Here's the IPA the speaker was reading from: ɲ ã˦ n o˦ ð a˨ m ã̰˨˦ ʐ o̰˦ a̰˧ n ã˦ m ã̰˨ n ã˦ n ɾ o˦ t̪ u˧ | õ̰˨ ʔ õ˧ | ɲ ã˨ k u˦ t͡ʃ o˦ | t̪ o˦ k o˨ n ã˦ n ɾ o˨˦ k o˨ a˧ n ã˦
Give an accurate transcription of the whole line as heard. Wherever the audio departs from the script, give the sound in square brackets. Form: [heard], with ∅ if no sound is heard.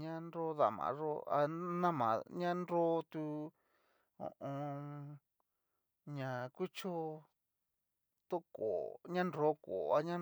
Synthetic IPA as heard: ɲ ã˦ n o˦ ð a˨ m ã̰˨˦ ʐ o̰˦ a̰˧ n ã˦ m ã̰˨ [ɲ] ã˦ n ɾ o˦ t̪ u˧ | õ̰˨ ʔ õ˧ | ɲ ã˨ k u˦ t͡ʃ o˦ | t̪ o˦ k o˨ [ɲ] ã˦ n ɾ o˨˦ k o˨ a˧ [ɲ] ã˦